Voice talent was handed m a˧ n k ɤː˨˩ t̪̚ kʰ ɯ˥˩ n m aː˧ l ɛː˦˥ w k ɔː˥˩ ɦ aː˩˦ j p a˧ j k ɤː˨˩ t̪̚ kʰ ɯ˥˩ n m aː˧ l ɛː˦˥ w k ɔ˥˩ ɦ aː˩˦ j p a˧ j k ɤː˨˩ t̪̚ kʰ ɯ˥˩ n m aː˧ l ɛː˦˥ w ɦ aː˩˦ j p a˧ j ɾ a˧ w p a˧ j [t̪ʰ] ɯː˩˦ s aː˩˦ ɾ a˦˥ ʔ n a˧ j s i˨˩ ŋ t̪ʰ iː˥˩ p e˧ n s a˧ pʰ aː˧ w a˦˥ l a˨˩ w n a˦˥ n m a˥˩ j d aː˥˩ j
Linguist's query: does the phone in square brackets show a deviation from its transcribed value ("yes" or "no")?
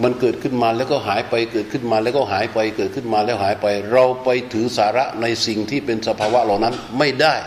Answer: no